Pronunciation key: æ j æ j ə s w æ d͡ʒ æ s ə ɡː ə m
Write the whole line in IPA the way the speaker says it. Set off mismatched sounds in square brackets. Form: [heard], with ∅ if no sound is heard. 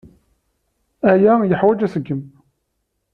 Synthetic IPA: æ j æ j ə [ħ] w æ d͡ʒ æ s ə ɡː ə m